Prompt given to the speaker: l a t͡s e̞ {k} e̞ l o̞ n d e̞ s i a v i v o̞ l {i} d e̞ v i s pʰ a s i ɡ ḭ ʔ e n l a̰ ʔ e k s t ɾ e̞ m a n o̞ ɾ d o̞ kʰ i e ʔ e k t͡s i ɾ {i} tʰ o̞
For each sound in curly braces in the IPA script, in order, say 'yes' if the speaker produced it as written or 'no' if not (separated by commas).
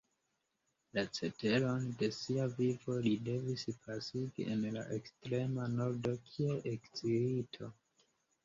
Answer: no, yes, yes